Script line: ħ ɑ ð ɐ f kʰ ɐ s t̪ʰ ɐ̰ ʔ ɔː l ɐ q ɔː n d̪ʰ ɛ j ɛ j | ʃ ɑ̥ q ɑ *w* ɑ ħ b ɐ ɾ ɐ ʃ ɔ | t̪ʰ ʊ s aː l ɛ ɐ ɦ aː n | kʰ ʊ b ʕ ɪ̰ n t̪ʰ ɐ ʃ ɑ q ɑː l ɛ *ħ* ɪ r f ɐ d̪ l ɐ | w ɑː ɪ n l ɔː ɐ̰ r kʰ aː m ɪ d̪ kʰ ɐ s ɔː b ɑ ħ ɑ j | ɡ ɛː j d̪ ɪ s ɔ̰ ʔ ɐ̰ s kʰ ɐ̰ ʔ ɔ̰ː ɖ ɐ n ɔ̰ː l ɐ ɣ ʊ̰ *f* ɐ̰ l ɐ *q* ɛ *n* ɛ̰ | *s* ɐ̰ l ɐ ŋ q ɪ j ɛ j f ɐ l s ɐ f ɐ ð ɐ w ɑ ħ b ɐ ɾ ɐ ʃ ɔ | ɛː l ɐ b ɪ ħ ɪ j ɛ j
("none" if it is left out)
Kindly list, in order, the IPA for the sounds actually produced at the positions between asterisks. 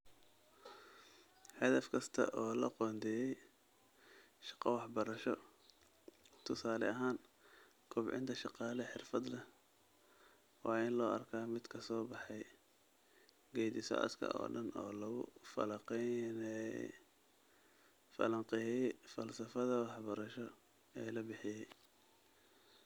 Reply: w, ħ, f, q, n, f

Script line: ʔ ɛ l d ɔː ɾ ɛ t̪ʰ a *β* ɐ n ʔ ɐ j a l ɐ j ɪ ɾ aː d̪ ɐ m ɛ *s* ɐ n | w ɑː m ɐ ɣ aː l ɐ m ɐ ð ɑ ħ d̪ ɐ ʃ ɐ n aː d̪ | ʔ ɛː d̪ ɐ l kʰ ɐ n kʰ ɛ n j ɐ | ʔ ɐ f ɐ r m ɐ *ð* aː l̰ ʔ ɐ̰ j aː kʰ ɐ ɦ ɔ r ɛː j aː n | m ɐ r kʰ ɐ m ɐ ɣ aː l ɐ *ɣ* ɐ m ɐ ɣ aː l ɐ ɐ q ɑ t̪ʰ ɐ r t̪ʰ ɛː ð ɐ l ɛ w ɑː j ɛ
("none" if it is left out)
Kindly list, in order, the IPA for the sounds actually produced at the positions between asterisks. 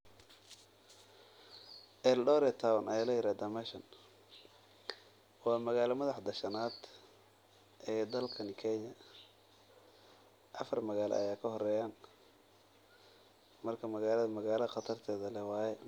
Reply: w, ʃ, ɣ, ð

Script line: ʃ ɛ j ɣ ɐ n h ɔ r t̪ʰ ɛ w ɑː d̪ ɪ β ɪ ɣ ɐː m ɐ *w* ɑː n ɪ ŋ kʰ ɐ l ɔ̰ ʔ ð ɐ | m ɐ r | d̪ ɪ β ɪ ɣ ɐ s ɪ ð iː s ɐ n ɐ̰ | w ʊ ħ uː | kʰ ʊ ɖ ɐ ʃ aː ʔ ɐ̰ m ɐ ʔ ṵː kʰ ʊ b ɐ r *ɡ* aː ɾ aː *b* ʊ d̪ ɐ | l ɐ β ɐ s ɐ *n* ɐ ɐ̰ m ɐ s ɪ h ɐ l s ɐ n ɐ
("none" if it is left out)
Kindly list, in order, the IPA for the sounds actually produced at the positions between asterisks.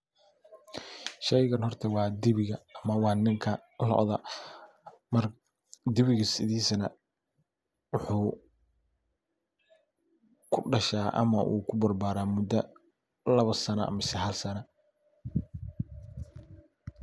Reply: w, b, m, n

